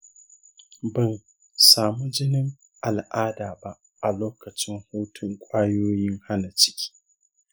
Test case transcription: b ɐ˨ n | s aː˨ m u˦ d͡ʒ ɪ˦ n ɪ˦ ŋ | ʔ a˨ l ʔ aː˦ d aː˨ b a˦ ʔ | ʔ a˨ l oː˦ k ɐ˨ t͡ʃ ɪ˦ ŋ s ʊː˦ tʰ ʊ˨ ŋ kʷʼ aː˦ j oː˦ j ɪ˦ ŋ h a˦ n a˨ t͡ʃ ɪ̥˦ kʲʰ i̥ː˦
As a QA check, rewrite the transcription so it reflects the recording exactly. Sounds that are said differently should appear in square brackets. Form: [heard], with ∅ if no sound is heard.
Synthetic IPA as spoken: b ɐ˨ n | s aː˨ m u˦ d͡ʒ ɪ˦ n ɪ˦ ŋ | ʔ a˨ l ʔ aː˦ d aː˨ b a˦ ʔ | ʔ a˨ l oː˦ k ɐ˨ t͡ʃ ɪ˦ ŋ [h] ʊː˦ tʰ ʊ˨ ŋ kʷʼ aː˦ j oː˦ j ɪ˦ ŋ h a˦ n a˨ t͡ʃ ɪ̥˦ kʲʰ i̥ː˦